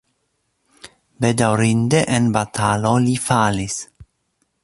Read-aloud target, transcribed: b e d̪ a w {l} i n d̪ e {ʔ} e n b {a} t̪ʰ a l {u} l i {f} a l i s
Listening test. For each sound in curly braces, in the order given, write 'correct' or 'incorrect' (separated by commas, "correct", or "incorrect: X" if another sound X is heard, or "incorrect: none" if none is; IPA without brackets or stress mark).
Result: incorrect: ɾ, correct, correct, incorrect: o, correct